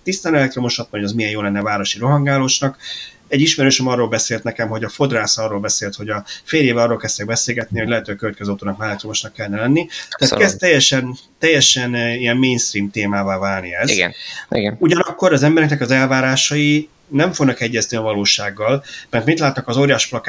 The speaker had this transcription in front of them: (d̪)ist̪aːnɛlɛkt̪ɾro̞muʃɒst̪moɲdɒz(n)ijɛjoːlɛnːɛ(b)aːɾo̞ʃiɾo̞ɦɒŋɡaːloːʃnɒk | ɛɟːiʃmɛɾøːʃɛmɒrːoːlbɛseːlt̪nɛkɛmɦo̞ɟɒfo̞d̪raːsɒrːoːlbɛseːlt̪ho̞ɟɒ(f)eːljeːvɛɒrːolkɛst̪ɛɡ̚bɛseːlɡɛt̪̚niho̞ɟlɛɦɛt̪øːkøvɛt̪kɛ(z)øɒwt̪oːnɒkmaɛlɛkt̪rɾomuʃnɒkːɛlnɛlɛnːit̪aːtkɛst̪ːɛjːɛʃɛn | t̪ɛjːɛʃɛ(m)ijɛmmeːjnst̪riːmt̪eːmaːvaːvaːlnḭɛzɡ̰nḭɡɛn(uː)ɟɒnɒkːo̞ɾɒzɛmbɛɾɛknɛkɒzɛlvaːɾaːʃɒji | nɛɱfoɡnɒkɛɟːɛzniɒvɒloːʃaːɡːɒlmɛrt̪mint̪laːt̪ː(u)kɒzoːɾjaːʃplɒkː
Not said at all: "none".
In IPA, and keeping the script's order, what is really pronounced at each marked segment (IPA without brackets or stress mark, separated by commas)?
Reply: t̪, m, v, f, z, n, u, ɒ